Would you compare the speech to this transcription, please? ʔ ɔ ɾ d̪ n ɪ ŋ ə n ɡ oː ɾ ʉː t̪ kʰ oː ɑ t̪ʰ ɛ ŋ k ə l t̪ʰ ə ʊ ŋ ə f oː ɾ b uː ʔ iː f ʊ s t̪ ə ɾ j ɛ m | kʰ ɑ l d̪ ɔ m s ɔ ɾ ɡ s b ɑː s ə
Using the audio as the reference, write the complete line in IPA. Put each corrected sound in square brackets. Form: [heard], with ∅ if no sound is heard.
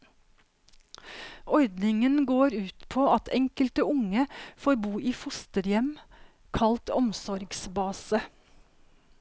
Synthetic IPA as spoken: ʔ ɔ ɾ d̪ n ɪ ŋ ə n ɡ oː ɾ ʉː t̪ [pʰ] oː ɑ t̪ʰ ɛ ŋ k ə l [t̪] ə ʊ ŋ ə f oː ɾ b uː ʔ iː f ʊ s t̪ ə ɾ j ɛ m | kʰ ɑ l [t̪] ɔ m s ɔ ɾ ɡ s b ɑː s ə